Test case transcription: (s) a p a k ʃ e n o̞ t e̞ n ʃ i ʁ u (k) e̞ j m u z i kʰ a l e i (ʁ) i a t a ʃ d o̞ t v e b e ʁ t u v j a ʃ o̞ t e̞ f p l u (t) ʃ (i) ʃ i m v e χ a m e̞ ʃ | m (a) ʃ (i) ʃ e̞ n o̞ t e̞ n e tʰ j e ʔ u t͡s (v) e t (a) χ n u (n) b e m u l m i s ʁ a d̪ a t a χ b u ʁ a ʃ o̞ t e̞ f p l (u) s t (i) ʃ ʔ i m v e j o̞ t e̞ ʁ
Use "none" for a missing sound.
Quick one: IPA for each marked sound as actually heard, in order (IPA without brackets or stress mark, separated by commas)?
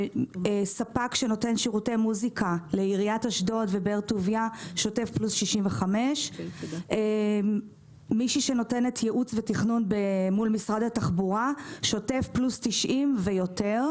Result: s, t, ʁ, s, i, i, i, v, i, n, u, i